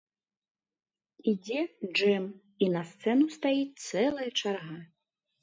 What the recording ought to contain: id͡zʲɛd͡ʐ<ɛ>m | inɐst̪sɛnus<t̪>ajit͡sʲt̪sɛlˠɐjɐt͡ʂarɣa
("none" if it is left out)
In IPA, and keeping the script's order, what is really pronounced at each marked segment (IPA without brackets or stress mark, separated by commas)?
ɛ, t̪